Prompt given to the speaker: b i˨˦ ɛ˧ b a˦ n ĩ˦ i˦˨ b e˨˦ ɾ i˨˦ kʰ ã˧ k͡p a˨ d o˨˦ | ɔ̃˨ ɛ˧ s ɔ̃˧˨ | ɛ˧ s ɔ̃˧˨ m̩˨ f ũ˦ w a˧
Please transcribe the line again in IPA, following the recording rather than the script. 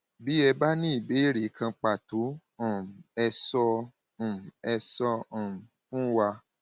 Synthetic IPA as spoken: b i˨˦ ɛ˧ b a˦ n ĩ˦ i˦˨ b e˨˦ ɾ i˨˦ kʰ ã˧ k͡p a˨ t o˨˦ | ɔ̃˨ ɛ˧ s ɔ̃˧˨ | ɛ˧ s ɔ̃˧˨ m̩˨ f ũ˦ w a˧

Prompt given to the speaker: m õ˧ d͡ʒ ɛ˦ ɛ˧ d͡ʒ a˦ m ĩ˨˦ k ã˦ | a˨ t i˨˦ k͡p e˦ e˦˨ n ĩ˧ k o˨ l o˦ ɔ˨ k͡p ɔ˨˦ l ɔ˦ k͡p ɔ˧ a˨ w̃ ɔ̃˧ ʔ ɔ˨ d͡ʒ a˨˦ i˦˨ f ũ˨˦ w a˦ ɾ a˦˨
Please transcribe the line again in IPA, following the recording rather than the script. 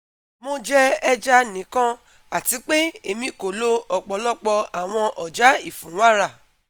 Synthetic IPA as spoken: m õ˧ d͡ʒ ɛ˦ ɛ˧ d͡ʒ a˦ n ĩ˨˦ k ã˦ | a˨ t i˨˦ k͡p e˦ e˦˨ m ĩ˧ k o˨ l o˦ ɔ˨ k͡p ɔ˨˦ l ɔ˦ k͡p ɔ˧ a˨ w̃ ɔ̃˧ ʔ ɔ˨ d͡ʒ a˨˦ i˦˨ f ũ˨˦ w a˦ ɾ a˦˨

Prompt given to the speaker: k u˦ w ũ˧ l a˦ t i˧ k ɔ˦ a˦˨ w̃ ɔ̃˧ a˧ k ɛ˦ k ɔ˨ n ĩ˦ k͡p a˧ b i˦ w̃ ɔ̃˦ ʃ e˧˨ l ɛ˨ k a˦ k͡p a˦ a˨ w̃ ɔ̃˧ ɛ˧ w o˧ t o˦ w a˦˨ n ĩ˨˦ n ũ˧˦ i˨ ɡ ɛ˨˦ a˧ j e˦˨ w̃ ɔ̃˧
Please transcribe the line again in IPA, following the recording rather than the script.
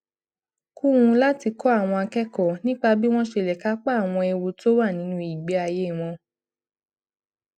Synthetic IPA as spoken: k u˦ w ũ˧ l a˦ t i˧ k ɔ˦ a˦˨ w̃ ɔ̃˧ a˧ k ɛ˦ k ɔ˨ n ĩ˦ k͡p a˧ b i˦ w̃ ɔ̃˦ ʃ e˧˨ l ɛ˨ k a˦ k͡p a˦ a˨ w̃ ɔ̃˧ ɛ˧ w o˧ t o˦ w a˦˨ n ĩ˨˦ n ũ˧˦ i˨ ɡ͡b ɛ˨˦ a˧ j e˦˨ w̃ ɔ̃˧

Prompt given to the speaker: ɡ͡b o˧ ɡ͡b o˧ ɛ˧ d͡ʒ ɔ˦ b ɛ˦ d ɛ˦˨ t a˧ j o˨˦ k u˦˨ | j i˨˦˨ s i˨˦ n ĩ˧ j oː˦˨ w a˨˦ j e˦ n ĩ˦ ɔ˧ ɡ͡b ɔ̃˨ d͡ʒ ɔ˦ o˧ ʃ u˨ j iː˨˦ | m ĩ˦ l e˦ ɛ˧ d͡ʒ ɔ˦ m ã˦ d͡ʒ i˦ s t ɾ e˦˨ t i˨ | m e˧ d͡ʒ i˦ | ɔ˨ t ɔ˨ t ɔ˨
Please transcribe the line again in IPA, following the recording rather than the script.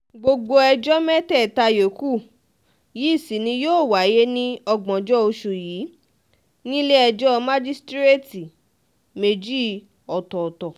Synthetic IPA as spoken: ɡ͡b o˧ ɡ͡b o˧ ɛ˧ d͡ʒ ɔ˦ m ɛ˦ t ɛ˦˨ t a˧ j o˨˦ k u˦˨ | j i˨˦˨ s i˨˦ n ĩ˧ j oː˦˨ w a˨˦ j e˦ n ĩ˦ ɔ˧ ɡ͡b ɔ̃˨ d͡ʒ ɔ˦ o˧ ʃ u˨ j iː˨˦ | n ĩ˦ l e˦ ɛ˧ d͡ʒ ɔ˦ m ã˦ d͡ʒ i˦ s t ɾ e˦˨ t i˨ | m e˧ d͡ʒ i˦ | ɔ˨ t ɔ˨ t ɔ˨

